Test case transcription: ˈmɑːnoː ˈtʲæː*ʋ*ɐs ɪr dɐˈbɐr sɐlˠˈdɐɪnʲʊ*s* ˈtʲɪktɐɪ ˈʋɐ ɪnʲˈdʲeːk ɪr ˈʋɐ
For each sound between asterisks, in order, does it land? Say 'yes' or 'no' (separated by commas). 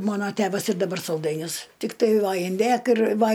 yes, yes